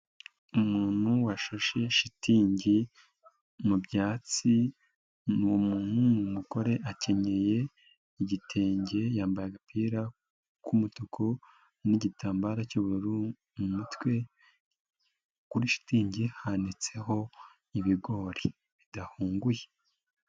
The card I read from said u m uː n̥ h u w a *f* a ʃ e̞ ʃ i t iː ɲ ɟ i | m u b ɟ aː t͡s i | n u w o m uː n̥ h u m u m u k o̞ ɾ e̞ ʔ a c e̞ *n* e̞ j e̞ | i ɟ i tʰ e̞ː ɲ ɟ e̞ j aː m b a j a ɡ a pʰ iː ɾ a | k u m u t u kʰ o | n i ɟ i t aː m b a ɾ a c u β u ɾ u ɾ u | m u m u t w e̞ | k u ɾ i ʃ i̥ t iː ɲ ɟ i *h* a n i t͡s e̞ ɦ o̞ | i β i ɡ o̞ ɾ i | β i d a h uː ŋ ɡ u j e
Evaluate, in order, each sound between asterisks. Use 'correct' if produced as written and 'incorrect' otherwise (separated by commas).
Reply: incorrect, incorrect, correct